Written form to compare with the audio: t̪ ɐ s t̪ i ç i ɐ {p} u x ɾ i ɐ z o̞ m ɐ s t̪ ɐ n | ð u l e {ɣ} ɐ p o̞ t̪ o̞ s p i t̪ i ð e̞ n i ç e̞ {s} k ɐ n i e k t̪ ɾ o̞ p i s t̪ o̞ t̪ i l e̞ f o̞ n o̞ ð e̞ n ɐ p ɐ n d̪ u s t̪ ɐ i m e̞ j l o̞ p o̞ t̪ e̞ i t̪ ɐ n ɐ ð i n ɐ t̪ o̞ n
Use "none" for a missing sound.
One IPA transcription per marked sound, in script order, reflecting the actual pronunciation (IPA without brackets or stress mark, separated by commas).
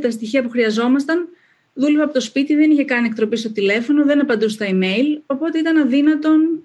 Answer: p, v, none